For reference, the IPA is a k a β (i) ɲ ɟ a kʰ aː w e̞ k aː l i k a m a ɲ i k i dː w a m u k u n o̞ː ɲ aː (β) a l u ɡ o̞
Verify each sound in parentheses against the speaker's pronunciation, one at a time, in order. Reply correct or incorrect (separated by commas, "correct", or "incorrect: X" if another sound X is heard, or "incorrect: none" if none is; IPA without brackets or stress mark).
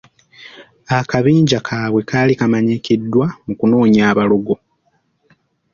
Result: incorrect: iː, correct